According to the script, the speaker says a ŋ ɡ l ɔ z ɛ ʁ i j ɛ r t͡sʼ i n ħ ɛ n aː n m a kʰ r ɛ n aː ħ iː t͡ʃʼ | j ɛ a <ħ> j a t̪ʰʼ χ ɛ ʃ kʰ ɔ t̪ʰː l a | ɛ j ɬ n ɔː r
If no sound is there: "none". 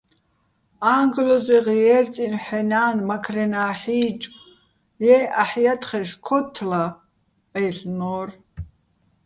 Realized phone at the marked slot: ħ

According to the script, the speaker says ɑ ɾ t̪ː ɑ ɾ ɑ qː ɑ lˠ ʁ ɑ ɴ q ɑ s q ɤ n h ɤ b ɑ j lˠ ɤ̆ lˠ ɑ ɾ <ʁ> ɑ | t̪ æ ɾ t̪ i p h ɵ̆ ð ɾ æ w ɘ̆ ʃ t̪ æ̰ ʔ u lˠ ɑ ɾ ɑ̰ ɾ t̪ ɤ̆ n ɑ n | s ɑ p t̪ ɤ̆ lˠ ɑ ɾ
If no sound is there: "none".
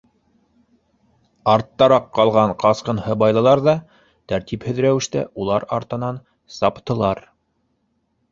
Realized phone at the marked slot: ð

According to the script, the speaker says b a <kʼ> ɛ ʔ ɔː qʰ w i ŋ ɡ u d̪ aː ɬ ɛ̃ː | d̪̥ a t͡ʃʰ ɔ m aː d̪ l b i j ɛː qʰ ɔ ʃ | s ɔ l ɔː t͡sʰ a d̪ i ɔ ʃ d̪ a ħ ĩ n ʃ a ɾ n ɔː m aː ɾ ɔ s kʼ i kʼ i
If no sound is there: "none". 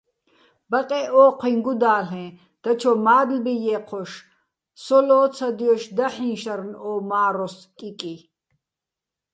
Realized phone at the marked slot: qʼ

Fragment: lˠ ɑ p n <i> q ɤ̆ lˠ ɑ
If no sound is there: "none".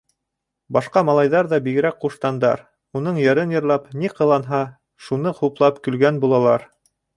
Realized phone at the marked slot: i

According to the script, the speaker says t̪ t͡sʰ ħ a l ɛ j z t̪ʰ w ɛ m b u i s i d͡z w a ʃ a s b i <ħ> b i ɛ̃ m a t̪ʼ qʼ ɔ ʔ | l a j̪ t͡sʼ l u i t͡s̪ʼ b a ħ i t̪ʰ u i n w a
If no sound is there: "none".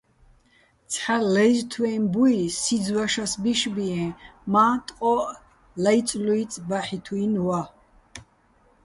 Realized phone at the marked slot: ʃ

